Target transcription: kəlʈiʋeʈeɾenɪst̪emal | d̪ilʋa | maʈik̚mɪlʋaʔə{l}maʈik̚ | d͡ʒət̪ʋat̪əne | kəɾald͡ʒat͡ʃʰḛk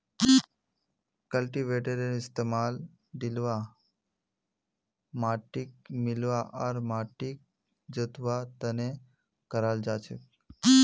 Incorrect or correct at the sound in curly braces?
incorrect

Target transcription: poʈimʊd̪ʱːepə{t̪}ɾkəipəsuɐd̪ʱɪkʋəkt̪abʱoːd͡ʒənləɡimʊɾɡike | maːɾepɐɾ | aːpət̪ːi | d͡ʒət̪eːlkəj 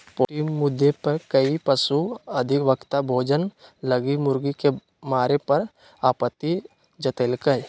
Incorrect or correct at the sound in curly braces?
incorrect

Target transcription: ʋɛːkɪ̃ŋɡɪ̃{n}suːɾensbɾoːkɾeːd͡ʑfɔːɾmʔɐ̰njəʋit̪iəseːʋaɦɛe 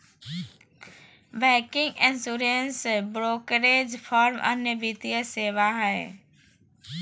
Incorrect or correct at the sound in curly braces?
correct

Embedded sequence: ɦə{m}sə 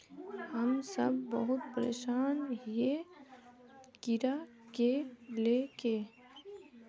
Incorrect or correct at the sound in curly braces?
correct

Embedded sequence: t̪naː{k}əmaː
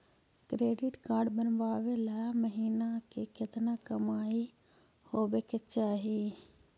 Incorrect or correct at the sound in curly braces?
correct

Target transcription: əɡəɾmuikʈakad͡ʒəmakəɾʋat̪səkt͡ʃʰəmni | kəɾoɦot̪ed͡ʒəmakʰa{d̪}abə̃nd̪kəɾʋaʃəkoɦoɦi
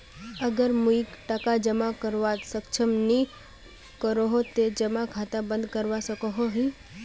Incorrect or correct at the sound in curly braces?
incorrect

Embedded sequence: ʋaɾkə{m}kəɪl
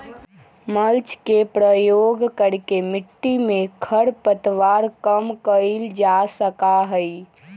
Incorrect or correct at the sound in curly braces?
correct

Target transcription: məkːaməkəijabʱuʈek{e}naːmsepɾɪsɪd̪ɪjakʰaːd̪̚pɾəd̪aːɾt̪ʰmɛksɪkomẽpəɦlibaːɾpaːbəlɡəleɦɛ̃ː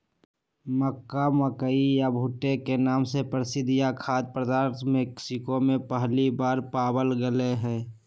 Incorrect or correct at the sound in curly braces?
correct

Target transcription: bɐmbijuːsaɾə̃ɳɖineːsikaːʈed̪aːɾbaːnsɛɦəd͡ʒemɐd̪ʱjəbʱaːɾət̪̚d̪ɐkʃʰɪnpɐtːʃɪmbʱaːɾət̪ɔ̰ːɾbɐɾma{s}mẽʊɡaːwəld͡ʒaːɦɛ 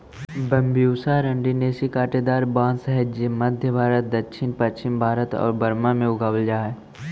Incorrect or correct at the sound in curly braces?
incorrect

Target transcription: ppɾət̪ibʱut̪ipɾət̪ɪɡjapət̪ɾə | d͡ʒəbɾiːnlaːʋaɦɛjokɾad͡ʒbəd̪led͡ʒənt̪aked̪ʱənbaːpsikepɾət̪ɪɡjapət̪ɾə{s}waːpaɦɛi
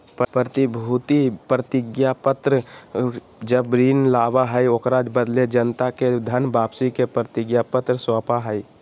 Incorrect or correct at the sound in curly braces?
correct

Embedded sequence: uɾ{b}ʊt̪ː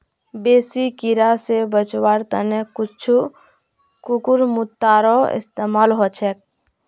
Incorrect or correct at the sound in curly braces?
incorrect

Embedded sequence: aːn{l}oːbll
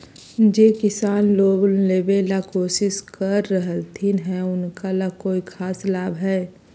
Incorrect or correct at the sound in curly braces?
correct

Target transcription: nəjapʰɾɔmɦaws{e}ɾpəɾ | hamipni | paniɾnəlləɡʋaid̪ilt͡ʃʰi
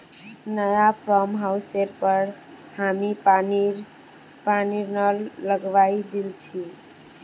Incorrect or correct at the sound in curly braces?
correct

